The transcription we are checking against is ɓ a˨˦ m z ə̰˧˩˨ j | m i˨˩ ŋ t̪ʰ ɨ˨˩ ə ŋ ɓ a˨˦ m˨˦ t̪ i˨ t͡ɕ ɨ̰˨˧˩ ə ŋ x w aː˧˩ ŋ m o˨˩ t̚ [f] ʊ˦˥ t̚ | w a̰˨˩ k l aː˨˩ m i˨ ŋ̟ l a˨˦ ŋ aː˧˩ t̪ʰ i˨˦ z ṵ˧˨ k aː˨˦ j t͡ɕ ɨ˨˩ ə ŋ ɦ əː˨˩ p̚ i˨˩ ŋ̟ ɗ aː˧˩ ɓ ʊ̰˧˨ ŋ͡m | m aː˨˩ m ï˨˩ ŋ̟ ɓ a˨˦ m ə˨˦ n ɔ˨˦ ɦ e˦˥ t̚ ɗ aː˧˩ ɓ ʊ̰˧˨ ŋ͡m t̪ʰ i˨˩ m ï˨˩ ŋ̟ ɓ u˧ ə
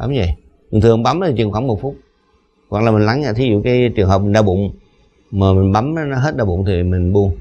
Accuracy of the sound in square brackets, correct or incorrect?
correct